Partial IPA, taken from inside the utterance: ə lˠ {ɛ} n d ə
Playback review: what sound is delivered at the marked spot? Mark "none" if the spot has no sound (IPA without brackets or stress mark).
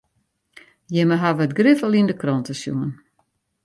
i